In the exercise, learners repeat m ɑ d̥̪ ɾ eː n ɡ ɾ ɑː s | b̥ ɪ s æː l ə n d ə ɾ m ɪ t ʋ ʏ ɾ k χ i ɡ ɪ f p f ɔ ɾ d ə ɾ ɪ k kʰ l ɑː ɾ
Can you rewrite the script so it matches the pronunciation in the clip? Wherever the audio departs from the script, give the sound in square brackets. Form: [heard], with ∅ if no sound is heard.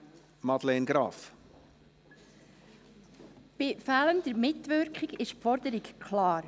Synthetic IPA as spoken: m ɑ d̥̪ [l] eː n ɡ ɾ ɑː [f] | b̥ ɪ [f] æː l ə n d ə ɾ m ɪ t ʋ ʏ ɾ k χ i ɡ ɪ [ʃ] p f ɔ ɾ d ə ɾ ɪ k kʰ l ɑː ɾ